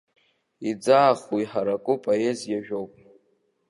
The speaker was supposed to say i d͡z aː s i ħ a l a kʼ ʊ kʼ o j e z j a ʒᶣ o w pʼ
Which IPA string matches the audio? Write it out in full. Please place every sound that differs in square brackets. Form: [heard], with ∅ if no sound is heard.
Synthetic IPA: i d͡z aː [χ] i ħ a [ɾ] a kʼ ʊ [pʼ] o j e z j a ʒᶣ o w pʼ